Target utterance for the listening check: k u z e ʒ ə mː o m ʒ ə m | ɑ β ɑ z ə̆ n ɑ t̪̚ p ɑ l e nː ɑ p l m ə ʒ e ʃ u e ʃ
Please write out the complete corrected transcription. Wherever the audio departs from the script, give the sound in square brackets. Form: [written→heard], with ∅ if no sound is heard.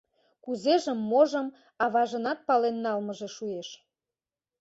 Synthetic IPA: k u z e ʒ ə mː o [m→∅] ʒ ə m | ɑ β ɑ [z→ʒ] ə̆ n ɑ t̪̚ p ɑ l e nː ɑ [p→∅] l m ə ʒ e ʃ u e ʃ